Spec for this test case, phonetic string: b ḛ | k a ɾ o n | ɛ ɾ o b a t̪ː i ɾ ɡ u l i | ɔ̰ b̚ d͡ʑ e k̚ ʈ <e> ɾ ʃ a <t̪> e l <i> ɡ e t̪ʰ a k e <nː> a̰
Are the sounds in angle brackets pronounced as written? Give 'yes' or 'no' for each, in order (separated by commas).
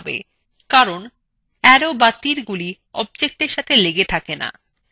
yes, no, no, no